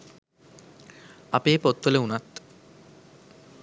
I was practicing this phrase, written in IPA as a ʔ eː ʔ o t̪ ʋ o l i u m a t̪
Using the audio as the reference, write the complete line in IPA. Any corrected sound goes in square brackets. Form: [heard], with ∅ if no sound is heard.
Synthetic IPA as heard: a [p] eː [p] o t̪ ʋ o l [e] u [n] a t̪